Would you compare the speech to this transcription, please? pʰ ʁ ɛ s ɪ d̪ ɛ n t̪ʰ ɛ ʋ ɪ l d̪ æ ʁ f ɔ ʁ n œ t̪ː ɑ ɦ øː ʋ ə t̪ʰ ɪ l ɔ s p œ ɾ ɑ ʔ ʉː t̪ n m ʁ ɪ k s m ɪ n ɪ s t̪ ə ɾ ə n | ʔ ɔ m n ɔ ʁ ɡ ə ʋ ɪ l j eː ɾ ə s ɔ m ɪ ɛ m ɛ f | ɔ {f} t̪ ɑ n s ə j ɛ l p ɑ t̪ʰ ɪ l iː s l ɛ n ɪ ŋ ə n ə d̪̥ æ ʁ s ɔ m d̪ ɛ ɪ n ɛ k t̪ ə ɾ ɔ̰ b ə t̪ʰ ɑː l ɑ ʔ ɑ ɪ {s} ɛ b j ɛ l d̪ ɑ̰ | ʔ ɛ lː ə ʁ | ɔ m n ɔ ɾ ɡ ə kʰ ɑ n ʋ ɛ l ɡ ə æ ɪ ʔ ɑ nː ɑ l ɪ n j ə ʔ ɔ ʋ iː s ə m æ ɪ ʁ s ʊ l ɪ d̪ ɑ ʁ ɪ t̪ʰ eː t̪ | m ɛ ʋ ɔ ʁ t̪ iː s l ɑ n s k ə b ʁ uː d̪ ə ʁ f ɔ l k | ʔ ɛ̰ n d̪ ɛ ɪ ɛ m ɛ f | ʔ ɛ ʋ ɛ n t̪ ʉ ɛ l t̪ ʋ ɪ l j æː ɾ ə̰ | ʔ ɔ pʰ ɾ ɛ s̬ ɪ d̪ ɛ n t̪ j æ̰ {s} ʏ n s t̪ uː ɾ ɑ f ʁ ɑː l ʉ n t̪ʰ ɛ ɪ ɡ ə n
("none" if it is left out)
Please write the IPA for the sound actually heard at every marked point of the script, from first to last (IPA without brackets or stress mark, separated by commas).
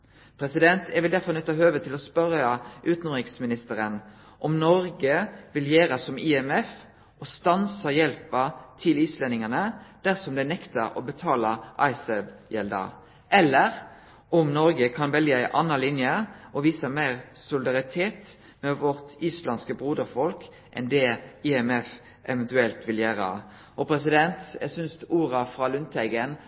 s, s, s